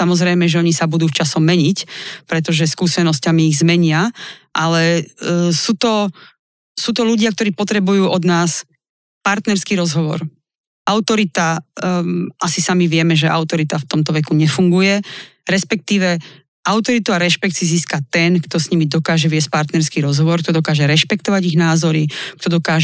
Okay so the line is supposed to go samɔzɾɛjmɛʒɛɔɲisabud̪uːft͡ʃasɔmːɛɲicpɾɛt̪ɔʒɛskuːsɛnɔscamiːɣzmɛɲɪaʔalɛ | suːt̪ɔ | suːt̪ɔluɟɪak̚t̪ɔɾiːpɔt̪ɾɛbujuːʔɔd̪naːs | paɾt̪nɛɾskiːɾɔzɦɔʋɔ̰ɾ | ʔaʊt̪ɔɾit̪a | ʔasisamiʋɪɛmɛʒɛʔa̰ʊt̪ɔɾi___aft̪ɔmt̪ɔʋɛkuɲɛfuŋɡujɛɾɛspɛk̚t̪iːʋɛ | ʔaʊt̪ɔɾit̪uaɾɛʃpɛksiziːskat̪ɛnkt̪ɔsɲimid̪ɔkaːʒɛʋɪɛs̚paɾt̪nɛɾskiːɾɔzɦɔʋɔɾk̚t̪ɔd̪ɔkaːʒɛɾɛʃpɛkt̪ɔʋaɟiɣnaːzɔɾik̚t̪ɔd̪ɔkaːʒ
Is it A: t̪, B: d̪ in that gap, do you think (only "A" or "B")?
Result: A